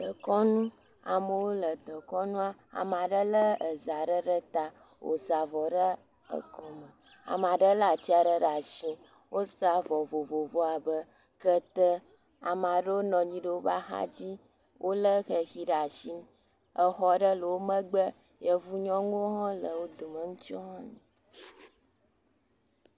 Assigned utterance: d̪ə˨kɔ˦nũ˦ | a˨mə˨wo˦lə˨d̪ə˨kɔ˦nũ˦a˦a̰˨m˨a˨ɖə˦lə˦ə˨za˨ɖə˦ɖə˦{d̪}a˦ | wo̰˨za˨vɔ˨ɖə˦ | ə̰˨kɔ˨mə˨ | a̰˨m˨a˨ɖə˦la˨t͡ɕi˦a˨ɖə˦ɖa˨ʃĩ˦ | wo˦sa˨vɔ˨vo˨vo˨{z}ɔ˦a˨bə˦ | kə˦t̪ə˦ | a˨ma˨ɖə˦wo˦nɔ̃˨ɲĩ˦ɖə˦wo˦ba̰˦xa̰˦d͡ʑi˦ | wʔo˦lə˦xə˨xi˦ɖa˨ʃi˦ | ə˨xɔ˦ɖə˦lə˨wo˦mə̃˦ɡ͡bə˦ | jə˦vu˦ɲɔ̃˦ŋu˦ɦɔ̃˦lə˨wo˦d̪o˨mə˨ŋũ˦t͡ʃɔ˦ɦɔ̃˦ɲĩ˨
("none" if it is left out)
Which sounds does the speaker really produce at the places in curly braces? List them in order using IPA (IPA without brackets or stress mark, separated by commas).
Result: t̪, v